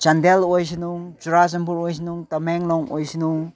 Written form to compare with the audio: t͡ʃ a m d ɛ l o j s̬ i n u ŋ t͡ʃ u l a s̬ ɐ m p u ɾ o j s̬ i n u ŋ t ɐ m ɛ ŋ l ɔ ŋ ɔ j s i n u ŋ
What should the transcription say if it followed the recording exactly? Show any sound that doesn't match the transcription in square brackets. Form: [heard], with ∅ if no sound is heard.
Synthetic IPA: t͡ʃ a [n] d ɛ l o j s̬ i n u ŋ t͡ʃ u [ɾ] a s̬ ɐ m p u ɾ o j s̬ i n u ŋ t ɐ m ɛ ŋ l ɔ ŋ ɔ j s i n u ŋ